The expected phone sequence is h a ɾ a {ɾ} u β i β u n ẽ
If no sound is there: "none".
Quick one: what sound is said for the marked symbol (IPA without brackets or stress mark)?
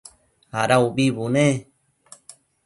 none